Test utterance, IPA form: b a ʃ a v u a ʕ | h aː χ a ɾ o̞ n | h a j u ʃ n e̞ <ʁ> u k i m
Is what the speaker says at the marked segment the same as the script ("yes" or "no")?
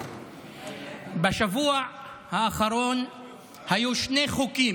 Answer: no